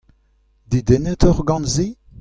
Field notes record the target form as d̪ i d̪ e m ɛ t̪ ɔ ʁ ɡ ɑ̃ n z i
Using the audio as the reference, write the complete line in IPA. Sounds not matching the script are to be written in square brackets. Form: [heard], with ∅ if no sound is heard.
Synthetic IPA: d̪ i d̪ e [n] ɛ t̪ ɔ ʁ ɡ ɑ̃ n z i